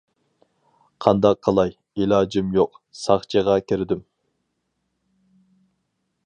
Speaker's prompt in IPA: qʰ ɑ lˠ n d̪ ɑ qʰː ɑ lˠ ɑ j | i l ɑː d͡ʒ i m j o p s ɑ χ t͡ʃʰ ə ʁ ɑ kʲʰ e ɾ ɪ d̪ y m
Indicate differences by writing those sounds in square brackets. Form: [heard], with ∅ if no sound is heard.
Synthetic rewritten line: qʰ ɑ [∅] n d̪ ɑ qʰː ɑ lˠ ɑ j | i l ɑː d͡ʒ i m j o [q] s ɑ χ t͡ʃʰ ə ʁ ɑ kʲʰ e ɾ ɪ d̪ y m

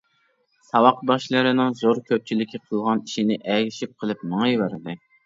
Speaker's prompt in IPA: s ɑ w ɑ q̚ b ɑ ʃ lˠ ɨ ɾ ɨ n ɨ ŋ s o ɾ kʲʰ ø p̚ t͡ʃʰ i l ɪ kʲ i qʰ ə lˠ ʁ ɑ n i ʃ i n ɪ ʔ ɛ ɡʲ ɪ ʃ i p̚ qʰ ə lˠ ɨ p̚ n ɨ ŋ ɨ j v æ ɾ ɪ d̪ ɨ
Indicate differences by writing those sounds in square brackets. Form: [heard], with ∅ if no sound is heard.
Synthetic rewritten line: s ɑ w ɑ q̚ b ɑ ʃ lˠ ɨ ɾ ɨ n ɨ ŋ [z] o ɾ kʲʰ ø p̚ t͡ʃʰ i l ɪ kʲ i qʰ ə lˠ ʁ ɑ n i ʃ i n ɪ ʔ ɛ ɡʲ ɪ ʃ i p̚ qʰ ə lˠ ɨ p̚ n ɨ ŋ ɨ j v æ ɾ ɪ d̪ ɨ

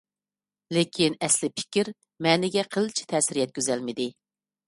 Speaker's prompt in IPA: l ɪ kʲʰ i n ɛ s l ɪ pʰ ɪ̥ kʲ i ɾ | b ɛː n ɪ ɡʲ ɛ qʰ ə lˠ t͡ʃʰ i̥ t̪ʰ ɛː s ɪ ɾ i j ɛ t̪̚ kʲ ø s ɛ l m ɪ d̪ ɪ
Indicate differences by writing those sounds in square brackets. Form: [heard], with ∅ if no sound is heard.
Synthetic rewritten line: l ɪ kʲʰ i n ɛ s l ɪ pʰ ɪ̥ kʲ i ɾ | [m] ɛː n ɪ ɡʲ ɛ qʰ ə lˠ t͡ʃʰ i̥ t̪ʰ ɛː s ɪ ɾ i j ɛ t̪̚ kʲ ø [z] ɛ l m ɪ d̪ ɪ

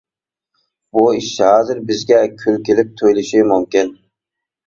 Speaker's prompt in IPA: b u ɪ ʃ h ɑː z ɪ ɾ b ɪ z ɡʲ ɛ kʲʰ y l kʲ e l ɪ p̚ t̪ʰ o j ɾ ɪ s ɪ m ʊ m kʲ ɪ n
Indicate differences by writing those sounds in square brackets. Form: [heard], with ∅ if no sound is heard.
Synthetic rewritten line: b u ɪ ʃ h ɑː z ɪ ɾ b ɪ z ɡʲ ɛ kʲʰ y l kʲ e l ɪ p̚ t̪ʰ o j [l] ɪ [ʃ] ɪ m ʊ m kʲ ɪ n

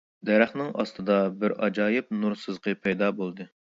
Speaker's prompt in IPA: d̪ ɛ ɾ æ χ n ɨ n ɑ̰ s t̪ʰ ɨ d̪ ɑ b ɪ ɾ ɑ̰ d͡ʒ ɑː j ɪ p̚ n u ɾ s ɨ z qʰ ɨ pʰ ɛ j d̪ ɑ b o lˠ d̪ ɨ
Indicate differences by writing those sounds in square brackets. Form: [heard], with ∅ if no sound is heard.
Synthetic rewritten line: d̪ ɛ ɾ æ χ n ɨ [ŋ] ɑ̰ s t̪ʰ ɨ d̪ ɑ b ɪ ɾ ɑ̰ d͡ʒ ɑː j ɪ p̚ n u ɾ s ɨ z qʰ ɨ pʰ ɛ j d̪ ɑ b o lˠ d̪ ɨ

